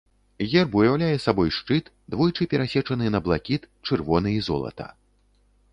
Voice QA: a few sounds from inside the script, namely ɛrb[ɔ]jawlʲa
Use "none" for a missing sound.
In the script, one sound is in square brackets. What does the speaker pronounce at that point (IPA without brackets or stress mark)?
u